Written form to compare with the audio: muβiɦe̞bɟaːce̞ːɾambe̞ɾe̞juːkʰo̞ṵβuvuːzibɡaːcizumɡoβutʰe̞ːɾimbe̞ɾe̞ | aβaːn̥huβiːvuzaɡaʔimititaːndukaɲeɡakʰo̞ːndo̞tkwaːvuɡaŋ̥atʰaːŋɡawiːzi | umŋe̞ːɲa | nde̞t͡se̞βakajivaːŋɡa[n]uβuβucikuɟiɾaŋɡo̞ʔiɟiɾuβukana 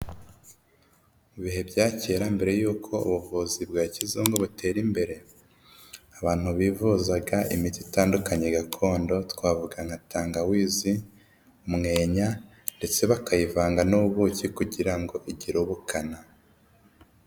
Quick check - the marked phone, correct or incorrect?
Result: correct